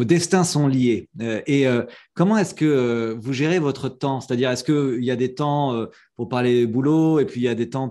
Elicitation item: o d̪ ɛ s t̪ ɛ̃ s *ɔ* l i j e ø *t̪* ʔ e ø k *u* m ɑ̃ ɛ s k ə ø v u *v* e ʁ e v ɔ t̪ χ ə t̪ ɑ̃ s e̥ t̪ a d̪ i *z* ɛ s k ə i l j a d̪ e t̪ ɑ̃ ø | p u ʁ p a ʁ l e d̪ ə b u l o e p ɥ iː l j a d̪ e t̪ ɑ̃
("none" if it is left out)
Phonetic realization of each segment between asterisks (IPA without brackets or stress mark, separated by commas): ɔ̃, none, ɔ, ʒ, ʁ